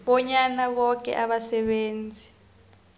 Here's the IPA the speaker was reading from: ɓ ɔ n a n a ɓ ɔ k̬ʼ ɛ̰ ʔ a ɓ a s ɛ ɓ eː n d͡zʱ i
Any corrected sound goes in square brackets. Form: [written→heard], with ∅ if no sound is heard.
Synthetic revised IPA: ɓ ɔ [n→ɲ] a n a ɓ ɔ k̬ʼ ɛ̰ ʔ a ɓ a s ɛ ɓ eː n d͡zʱ i